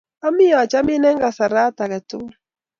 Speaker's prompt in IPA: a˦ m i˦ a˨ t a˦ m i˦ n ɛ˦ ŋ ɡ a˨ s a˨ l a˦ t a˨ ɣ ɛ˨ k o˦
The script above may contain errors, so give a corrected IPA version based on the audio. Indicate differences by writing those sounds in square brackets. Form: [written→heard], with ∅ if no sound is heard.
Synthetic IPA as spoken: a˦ m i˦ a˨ [t→t͡ʃ] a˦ m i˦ n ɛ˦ ŋ ɡ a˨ s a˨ [l→ɾ] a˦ t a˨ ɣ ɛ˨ [k→t] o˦